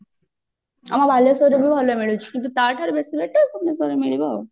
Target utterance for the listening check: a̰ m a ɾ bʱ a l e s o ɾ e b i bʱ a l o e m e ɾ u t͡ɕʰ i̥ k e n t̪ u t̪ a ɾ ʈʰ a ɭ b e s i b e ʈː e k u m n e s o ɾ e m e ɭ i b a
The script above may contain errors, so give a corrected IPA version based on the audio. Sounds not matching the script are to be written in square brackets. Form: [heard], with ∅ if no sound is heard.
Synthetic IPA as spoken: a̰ m a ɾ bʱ a l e s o ɾ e b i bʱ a l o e m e [ɭ] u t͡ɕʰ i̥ k [i] n t̪ u t̪ a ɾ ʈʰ a [ɾ] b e s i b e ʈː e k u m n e s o ɾ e m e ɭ i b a